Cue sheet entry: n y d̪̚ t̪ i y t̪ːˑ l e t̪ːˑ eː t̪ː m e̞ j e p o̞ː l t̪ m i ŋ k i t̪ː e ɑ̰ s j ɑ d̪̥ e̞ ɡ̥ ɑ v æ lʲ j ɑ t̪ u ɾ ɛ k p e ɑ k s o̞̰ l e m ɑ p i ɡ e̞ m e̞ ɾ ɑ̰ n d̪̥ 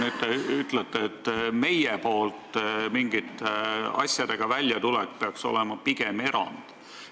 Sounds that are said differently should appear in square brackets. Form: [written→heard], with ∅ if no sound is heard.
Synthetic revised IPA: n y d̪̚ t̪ [i→e] y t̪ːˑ l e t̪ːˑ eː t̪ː m e̞ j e p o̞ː l t̪ m i ŋ [k→ɡ] i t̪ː e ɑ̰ s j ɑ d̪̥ e̞ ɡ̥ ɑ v æ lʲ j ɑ t̪ u [ɾ→l] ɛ k p e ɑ k s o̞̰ l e m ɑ p i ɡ e̞ m e̞ ɾ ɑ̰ n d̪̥